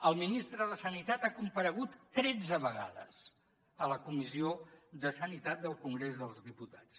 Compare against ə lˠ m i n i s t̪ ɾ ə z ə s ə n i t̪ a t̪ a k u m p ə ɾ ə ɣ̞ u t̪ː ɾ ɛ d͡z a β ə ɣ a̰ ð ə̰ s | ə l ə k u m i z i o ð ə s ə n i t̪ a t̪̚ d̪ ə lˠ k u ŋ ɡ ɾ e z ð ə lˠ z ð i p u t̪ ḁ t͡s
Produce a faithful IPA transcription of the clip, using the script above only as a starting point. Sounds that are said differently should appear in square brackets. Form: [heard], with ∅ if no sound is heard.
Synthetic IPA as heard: ə lˠ m i n i s t̪ ɾ ə [ð] ə s ə n i t̪ a t̪ a k u m p ə ɾ ə ɣ̞ u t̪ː ɾ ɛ d͡z [ə] β ə ɣ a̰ ð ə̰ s | ə l ə k u m i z i o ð ə s ə n i t̪ a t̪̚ d̪ ə lˠ k u ŋ ɡ ɾ e z ð ə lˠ z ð i p u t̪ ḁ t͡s